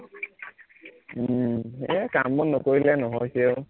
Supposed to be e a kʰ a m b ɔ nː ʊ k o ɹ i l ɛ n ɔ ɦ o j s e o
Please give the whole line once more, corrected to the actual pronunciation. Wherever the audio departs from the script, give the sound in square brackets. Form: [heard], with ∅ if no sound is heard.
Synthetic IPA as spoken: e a [k] a m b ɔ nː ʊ k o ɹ i l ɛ n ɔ ɦ [ɔ] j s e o